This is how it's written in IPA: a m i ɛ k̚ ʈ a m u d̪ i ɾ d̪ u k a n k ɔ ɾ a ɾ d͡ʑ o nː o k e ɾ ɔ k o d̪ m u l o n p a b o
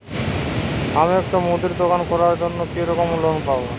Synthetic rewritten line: a m i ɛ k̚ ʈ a m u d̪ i ɾ d̪ o k a n k ɔ ɾ a ɾ d͡ʑ o nː o k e ɾ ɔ k o m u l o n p a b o